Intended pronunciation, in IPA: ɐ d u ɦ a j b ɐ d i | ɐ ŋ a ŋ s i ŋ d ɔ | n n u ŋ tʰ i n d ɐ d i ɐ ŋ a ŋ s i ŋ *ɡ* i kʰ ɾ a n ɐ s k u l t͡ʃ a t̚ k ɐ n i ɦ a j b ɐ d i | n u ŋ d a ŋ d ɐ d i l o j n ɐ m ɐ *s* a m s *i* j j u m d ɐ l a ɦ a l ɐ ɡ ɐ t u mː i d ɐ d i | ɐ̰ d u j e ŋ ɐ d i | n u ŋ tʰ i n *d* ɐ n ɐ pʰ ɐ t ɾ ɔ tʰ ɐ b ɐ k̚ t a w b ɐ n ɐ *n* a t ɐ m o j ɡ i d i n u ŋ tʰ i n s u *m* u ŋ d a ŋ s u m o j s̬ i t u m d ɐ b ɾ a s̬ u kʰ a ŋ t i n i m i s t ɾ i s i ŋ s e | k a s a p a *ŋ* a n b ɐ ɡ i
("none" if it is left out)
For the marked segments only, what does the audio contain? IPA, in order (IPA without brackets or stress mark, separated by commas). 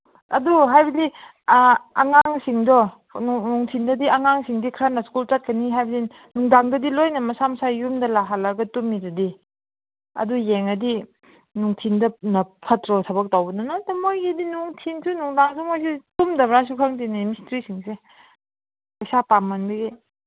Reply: d, s, a, d, n, n, m